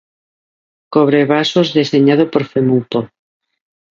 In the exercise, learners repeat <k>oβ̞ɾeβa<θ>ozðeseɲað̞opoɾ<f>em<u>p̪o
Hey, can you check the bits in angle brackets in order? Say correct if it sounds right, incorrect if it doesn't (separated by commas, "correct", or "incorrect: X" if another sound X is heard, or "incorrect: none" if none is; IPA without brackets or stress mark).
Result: correct, incorrect: s, correct, correct